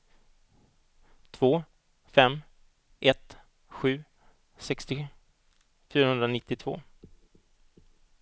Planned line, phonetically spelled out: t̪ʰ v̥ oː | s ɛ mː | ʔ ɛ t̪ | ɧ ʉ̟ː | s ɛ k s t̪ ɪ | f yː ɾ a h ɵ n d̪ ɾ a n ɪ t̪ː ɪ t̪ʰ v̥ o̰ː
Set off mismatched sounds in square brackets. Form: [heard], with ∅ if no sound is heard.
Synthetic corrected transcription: t̪ʰ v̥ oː | [f] ɛ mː | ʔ ɛ t̪ | ɧ ʉ̟ː | s ɛ k s t̪ ɪ | f yː ɾ a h ɵ n d̪ ɾ a n ɪ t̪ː ɪ t̪ʰ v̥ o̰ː